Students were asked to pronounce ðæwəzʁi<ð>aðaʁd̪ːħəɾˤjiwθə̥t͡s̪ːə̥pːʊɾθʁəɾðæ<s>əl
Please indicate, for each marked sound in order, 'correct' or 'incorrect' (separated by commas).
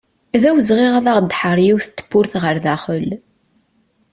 incorrect, incorrect